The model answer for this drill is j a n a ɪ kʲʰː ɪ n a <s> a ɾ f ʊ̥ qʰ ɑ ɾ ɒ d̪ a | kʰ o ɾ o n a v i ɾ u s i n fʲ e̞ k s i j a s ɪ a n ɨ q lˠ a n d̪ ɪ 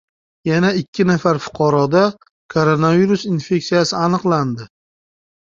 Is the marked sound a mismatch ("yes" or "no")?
yes